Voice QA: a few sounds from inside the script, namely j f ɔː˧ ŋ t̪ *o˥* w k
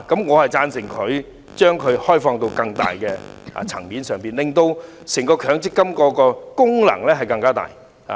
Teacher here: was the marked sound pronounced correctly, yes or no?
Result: no